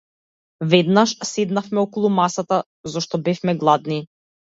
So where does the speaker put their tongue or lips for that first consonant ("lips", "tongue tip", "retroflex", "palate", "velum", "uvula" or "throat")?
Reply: lips